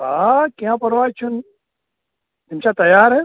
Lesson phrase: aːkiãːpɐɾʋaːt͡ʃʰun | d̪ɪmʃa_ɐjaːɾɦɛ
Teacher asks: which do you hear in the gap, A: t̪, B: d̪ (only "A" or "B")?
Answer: A